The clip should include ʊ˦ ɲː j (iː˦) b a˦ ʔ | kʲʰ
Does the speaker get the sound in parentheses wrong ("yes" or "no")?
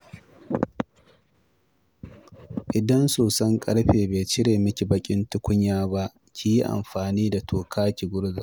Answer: yes